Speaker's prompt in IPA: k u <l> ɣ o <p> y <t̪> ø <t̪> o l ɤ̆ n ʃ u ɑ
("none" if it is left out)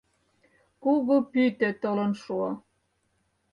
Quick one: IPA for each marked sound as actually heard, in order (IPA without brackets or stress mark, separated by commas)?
none, p, t̪, t̪